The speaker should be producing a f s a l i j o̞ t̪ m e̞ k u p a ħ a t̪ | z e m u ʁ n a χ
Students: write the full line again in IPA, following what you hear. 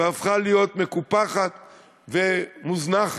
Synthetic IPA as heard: a f χ a l i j o̞ t̪ m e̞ k u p a χ a t̪ | v e m u z n a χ